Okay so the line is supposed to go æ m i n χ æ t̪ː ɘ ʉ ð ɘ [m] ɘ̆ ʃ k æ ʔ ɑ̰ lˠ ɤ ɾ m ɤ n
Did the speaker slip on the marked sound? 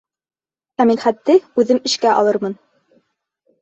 no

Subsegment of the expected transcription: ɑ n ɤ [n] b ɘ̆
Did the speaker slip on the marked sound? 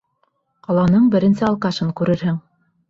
yes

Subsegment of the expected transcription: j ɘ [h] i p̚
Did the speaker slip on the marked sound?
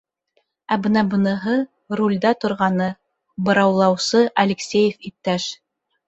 yes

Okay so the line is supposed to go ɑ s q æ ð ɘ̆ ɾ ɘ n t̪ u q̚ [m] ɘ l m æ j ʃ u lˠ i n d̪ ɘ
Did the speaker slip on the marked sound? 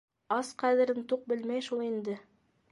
yes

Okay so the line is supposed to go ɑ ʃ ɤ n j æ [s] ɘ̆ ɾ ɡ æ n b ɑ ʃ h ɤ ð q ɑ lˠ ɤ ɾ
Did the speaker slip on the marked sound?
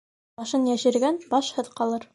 yes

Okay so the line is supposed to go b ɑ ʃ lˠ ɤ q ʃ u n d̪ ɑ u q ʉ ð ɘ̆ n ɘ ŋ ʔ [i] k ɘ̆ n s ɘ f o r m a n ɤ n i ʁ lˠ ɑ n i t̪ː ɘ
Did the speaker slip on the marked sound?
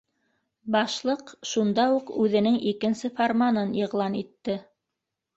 no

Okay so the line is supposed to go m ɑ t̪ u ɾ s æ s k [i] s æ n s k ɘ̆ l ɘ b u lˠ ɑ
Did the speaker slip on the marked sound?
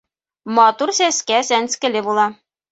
yes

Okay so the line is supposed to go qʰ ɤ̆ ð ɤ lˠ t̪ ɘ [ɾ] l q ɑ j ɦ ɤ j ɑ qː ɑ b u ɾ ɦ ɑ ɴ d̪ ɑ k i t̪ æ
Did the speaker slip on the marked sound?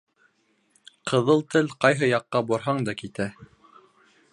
yes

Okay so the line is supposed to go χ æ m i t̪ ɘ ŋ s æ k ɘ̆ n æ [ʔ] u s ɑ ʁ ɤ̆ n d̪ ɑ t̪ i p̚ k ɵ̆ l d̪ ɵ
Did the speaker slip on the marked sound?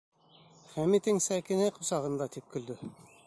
yes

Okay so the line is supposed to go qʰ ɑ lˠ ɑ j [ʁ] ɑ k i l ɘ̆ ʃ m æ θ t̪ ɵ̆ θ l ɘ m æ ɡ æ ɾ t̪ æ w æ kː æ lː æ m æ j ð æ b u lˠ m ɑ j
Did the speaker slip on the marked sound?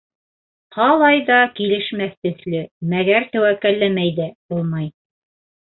yes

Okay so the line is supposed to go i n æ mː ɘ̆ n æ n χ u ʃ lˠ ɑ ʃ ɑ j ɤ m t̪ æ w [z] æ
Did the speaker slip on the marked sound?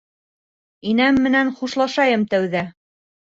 yes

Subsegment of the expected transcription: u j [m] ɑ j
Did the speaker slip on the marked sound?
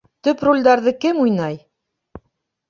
yes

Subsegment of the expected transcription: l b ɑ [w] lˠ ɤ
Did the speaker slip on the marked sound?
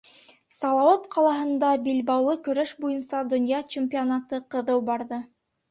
no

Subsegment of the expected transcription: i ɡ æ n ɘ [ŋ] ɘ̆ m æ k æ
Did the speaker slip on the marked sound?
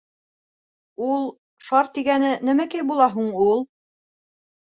yes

